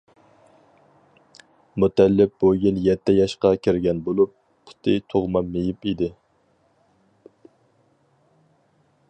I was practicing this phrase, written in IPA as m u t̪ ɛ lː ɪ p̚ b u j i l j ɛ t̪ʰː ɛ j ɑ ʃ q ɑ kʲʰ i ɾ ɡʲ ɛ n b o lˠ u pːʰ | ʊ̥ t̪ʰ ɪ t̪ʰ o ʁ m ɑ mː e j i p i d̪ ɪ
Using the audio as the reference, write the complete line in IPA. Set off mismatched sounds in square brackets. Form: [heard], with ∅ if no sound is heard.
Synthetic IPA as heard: m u t̪ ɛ lː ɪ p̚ b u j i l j ɛ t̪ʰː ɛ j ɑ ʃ q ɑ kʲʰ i ɾ ɡʲ ɛ n b o lˠ u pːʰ | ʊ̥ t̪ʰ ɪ t̪ʰ o ʁ m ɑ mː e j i p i d̪ ɪ